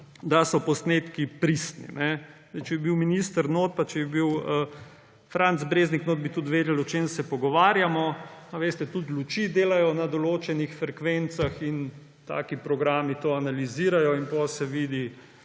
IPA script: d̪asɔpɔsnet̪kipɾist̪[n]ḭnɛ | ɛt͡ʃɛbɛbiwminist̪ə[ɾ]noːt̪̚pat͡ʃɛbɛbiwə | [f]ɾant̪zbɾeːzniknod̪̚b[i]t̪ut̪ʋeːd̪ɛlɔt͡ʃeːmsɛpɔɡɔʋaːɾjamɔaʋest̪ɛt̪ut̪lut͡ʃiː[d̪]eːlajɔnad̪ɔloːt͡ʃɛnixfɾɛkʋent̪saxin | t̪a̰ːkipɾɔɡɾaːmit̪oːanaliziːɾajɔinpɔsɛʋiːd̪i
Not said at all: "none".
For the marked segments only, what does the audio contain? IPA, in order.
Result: n, ɾ, f, i, d̪

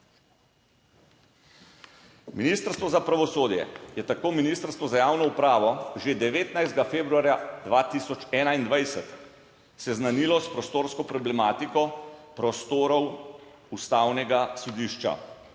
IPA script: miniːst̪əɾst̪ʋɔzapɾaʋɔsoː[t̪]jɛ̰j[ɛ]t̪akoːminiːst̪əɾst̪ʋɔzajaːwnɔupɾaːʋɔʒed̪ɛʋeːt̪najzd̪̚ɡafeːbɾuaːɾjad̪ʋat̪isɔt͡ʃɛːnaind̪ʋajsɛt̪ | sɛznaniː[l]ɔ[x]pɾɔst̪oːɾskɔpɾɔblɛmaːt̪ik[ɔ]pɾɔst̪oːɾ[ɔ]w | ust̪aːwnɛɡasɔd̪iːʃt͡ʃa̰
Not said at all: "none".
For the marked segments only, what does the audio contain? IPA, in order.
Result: d̪, ɛ, l, s, ɔ, ɔ

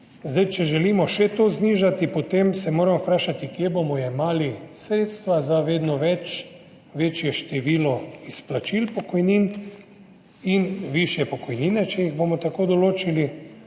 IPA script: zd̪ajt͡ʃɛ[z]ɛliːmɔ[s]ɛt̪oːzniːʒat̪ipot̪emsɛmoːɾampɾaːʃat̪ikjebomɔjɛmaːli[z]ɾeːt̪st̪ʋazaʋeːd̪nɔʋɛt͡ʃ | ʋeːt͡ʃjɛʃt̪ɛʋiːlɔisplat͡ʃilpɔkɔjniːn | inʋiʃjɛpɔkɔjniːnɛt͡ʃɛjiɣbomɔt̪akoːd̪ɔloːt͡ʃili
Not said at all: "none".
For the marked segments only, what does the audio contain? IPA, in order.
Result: ʒ, ʃ, s

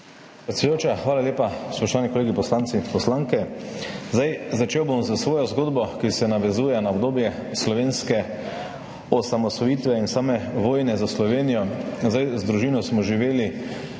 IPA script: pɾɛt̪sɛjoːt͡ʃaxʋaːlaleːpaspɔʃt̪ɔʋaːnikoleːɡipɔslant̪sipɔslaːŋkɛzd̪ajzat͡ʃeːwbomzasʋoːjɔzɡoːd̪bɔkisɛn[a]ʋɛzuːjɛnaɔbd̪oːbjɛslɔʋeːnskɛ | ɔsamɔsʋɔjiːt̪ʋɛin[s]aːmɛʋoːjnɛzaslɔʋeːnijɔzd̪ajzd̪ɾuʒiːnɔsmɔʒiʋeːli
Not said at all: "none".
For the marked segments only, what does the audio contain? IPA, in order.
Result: a, s

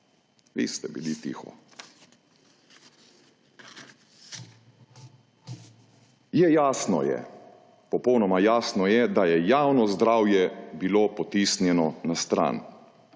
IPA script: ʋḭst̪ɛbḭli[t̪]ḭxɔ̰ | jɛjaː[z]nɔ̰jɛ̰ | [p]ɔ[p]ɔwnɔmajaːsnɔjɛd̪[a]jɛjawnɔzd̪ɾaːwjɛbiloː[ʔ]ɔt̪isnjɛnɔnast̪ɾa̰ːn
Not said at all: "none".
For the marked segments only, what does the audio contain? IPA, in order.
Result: t̪, s, p, p, a, p

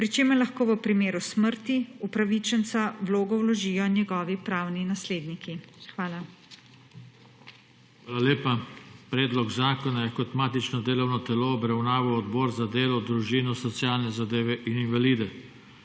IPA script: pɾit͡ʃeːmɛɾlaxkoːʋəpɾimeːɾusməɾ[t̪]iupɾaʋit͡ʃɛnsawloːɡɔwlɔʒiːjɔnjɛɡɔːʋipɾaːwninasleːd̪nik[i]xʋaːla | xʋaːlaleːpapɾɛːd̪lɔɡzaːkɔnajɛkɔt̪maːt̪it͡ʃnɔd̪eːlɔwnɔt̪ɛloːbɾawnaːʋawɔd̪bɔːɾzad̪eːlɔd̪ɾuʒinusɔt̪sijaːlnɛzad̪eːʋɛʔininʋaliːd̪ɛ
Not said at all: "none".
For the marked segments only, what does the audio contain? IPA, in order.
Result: t̪, i

